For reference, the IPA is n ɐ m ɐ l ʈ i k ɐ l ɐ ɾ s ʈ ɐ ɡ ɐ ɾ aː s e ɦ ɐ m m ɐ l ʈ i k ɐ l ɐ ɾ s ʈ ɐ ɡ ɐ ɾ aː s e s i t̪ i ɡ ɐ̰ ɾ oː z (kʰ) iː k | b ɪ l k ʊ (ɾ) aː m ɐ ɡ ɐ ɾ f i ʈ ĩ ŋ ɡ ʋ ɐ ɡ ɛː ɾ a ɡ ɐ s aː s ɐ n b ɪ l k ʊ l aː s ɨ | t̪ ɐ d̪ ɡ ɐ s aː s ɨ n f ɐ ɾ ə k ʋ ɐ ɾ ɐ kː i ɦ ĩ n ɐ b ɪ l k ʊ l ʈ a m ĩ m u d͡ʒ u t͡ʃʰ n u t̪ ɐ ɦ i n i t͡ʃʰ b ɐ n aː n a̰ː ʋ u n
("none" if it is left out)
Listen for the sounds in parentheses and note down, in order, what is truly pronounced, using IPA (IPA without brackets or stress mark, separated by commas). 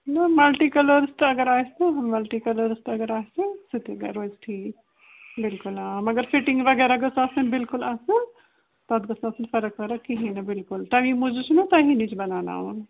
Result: ʈʰ, l